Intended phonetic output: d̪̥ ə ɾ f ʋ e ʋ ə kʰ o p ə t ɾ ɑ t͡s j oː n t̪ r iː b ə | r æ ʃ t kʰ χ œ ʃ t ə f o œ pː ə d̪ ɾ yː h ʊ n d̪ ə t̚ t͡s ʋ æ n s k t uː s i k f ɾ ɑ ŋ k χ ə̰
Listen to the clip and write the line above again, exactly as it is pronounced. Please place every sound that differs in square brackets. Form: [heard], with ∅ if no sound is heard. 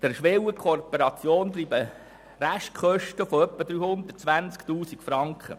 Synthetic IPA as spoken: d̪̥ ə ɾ [ʃ] ʋ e [w] ə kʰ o p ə [∅] ɾ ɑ t͡s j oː n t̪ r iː b ə | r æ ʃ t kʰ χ œ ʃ t ə f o œ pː ə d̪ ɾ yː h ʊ n d̪ ə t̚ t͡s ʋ æ n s k t uː s i k f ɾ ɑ ŋ k χ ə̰